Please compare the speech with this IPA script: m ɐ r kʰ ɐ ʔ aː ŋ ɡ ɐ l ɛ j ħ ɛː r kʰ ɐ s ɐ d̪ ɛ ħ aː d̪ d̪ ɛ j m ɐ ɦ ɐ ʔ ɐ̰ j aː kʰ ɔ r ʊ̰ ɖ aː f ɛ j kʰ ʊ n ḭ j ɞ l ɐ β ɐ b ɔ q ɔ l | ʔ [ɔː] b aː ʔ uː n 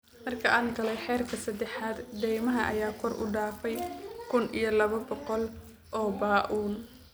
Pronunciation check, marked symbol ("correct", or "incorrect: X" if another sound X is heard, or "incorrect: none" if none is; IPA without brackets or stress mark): correct